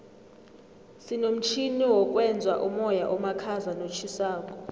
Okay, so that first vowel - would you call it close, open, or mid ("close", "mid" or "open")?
close